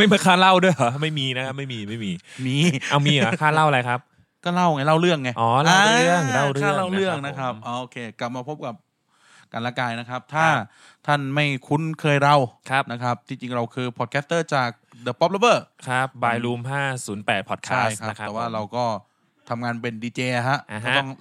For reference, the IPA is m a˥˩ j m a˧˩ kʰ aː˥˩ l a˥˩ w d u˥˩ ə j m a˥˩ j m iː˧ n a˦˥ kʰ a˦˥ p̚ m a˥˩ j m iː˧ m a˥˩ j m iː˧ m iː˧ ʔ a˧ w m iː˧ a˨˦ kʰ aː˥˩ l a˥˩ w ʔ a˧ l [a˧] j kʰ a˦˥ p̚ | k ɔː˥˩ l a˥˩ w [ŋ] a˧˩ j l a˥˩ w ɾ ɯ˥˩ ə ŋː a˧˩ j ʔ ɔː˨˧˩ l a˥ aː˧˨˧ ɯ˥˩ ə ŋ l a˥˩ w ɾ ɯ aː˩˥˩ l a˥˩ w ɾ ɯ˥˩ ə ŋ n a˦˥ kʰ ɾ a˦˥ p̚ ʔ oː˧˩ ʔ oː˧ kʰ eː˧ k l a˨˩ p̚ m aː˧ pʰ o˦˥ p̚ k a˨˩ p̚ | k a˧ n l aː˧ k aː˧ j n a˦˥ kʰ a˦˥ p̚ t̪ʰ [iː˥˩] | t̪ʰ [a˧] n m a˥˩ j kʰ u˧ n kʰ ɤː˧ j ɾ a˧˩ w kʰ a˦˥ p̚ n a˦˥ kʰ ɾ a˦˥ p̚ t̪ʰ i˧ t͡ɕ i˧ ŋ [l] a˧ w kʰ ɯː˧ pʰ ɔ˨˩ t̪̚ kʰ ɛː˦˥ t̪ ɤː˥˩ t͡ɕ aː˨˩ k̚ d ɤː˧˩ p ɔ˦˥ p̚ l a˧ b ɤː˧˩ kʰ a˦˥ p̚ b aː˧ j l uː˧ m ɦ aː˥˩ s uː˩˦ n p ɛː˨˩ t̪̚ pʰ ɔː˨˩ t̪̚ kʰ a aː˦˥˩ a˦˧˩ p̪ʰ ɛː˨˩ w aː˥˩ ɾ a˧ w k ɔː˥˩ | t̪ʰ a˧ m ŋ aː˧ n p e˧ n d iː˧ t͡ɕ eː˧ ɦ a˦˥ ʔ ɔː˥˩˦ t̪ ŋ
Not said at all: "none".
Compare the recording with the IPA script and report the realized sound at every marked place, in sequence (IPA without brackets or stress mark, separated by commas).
a˧, ŋ, aː˥˩, a˥˩, ɾ